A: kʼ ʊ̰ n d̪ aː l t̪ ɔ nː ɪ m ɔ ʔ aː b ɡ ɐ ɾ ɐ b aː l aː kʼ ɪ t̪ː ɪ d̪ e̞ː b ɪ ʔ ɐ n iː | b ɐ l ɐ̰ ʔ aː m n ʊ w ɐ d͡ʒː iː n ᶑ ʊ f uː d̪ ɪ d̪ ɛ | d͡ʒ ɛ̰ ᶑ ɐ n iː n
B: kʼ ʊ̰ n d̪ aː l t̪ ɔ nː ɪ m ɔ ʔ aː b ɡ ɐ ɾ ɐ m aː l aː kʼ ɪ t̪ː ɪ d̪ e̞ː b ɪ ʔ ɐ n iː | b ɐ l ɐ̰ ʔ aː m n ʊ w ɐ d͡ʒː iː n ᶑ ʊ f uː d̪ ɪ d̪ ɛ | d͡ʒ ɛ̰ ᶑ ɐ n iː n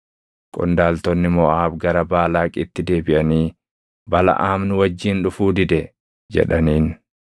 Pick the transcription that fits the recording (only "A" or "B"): A